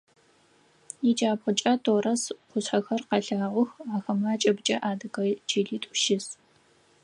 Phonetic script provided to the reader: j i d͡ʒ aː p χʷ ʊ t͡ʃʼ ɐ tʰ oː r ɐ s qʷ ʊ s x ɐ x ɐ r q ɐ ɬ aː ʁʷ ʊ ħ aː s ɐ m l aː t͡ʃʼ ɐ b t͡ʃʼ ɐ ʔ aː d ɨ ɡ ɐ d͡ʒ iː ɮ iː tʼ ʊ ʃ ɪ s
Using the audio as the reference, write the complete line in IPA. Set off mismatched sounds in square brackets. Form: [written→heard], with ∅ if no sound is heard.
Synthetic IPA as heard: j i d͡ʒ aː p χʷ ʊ t͡ʃʼ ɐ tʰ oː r ɐ s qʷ ʊ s [x→ħ] ɐ x ɐ r q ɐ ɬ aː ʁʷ ʊ [ħ→x] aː [s→x] ɐ m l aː t͡ʃʼ ɐ b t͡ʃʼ ɐ ʔ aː d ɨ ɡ ɐ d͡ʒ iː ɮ iː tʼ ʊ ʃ ɪ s